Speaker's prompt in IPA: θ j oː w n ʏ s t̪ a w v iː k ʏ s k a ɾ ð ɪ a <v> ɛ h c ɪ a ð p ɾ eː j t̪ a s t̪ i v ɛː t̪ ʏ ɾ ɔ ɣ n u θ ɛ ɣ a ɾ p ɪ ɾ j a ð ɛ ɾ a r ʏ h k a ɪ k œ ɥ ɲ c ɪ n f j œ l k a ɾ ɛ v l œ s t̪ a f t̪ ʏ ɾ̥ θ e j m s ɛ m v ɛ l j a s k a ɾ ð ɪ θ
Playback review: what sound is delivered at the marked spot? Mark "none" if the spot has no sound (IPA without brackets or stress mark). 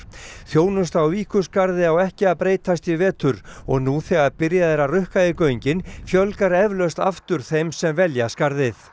w